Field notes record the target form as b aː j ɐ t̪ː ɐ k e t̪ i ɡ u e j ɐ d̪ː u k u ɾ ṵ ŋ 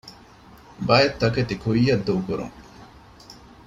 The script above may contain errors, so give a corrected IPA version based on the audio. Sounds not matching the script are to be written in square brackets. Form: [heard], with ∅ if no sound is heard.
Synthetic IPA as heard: b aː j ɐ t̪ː ɐ k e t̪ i [k] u [i] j ɐ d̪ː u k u ɾ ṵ ŋ